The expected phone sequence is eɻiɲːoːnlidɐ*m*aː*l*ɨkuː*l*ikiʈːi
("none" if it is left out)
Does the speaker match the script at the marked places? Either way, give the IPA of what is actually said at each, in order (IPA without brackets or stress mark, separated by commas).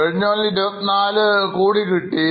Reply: n, l, ɽ